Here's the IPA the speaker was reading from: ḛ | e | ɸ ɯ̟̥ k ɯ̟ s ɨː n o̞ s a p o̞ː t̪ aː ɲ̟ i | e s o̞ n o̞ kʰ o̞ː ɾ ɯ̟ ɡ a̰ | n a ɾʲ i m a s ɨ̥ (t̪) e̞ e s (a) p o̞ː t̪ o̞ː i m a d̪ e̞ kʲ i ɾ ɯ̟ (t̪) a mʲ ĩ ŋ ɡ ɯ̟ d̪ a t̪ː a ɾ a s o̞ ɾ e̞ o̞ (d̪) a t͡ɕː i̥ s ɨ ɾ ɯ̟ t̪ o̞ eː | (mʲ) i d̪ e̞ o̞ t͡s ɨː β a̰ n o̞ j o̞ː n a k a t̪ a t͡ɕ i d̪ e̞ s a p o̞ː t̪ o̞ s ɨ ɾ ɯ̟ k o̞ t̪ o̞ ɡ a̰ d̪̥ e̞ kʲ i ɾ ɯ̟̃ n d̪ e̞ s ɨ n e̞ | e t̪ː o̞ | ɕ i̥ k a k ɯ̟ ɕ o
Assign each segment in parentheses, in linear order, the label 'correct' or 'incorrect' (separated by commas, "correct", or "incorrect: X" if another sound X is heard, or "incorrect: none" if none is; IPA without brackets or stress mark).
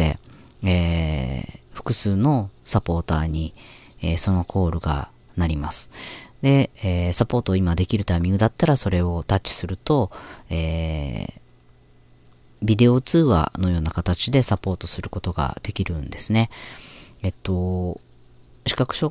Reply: incorrect: d̪, correct, correct, incorrect: t̪, incorrect: bʲ